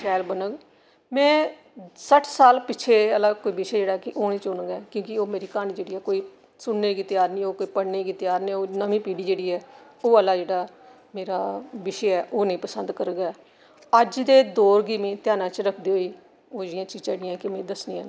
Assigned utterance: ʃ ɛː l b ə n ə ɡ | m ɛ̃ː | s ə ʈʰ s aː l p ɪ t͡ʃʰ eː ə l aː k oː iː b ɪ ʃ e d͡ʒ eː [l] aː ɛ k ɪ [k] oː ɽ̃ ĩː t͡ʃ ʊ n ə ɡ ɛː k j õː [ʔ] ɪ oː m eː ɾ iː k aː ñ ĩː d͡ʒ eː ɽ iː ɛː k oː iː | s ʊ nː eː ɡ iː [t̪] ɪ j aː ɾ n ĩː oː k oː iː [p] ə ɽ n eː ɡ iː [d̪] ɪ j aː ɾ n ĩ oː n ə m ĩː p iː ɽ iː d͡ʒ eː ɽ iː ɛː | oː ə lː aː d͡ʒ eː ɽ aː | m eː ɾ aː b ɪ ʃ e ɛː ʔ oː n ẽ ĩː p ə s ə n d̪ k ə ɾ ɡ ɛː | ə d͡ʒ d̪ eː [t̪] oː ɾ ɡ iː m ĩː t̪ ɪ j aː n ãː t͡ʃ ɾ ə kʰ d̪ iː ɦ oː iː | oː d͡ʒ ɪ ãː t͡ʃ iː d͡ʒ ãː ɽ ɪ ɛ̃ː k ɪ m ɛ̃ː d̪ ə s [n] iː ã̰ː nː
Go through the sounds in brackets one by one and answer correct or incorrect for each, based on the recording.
incorrect, incorrect, incorrect, correct, correct, incorrect, incorrect, correct

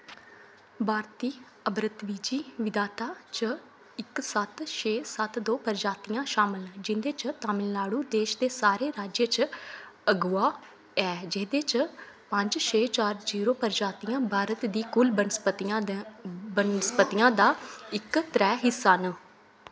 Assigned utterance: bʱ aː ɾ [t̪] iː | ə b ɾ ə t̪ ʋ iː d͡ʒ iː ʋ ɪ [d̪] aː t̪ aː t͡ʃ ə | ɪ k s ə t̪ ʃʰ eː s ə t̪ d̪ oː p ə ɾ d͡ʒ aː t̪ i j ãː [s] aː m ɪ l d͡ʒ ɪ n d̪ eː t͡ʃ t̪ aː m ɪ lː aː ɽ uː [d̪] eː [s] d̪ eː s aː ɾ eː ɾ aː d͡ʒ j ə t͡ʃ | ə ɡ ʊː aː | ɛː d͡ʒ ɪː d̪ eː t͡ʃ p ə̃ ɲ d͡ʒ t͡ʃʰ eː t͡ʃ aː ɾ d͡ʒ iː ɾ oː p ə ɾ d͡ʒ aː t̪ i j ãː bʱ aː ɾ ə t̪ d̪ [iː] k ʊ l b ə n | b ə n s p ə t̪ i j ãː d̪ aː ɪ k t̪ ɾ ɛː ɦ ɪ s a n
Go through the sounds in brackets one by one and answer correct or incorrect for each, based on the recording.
correct, correct, incorrect, correct, incorrect, correct

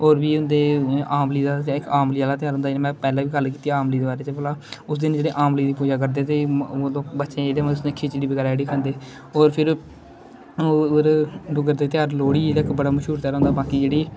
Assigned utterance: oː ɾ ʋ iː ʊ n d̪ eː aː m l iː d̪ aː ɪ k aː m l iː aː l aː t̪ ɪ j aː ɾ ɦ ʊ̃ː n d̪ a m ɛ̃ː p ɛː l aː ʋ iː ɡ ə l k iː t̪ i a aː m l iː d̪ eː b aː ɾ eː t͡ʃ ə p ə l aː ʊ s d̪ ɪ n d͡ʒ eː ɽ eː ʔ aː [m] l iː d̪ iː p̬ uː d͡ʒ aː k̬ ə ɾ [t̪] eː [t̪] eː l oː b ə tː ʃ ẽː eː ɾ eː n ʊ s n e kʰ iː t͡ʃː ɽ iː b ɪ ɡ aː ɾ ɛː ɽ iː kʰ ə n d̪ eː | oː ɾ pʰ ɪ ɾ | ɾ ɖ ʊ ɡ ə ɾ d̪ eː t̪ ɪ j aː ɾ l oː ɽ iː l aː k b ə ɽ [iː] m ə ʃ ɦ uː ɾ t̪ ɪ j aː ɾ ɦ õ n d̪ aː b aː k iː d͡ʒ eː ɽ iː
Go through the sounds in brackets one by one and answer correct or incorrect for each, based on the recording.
correct, incorrect, correct, incorrect

